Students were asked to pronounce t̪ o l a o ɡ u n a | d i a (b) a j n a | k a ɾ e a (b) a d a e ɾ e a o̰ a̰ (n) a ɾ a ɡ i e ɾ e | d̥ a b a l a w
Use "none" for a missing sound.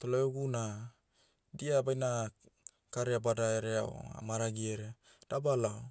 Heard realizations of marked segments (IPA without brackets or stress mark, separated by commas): b, b, m